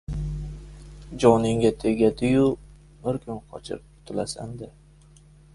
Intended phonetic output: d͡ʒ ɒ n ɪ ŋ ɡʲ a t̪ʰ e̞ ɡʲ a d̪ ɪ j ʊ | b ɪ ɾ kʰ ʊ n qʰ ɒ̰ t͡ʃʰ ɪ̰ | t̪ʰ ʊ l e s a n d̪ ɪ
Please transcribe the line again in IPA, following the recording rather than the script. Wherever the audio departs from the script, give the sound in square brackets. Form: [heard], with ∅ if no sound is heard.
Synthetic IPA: d͡ʒ ɒ n ɪ ŋ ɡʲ a t̪ʰ e̞ ɡʲ a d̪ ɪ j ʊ | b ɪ ɾ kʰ ʊ n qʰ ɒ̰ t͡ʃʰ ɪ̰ | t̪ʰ ʊ l [a] s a n d̪ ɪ